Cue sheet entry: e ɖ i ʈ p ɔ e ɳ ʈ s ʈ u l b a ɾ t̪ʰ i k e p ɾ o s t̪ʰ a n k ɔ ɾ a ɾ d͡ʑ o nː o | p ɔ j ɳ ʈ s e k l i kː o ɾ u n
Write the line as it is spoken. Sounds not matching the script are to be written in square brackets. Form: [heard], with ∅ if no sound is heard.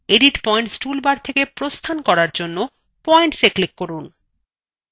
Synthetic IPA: e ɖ i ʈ p ɔ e ɳ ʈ s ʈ u l b a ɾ t̪ʰ [e] k e p ɾ o s t̪ʰ a n k ɔ ɾ a ɾ d͡ʑ o nː o | p ɔ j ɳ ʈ s e k l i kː o ɾ u n

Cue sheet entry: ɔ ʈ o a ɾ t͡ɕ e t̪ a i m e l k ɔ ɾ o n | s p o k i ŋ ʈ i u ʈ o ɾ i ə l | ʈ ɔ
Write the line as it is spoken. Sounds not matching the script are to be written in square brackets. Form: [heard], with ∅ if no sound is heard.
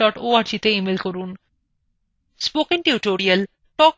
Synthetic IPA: ɔ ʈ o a ɾ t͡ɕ [i] t̪ [e] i m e l k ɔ ɾ [u] n | s p o k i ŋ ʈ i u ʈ o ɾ i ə l | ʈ ɔ

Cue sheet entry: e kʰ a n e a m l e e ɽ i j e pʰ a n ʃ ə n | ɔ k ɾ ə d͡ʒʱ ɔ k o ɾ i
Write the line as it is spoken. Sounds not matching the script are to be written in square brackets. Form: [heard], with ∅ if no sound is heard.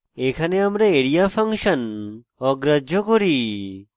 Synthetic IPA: e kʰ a n e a m [ɾ] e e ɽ i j [a] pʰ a [ŋ] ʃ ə n | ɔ [ɡ] ɾ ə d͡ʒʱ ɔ k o ɾ i

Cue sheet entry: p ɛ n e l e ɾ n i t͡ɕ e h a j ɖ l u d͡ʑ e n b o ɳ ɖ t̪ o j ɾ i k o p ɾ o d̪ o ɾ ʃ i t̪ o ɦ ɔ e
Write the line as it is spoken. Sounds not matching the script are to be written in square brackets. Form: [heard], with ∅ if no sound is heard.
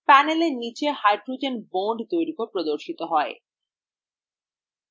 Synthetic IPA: p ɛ n e l e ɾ n i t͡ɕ e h a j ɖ [ɾ] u d͡ʑ e n b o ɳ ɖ t̪ o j ɾ i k o p ɾ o d̪ o ɾ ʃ i t̪ o ɦ ɔ e

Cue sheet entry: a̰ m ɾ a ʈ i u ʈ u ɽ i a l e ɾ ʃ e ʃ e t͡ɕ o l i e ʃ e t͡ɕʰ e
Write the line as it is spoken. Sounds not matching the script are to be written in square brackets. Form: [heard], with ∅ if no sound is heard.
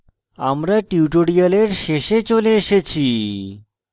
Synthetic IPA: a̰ m ɾ a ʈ i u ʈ [o] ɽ i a l e ɾ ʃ e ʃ e t͡ɕ o l [e] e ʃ e t͡ɕʰ [i]

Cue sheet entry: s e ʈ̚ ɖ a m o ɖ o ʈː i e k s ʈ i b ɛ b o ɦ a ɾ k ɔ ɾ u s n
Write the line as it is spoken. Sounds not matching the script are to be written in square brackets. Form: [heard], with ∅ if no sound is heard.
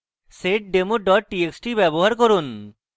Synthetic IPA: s e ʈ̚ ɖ [e] m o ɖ [ɔ] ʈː i e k s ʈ i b ɛ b o ɦ a ɾ k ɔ ɾ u [∅] n

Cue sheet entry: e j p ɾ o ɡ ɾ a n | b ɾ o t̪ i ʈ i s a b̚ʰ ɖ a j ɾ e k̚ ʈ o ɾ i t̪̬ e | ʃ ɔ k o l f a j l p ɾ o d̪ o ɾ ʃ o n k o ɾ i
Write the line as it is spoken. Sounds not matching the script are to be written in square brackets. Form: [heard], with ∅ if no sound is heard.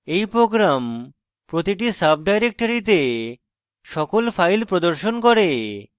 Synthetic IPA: e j p ɾ o ɡ ɾ a [m] | [p] ɾ o t̪ i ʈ i s a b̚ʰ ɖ a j ɾ e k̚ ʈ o ɾ i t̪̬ e | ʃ ɔ k o l f a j l p ɾ o d̪ o ɾ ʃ o n k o ɾ [e]

